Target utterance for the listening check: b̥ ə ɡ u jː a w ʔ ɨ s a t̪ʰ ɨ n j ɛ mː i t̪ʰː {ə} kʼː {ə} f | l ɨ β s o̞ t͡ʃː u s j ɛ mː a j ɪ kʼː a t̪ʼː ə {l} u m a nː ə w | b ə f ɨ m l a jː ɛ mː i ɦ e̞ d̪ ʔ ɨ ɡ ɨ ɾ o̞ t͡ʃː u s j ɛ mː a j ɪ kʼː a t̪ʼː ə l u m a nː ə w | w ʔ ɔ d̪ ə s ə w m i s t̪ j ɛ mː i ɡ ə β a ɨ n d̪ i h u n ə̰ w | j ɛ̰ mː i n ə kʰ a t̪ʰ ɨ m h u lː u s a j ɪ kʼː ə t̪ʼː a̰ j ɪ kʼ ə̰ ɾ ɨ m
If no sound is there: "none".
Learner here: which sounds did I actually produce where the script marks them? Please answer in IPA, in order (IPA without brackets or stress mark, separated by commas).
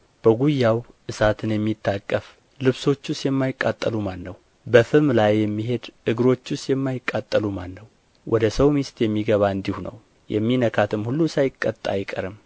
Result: a, ə, l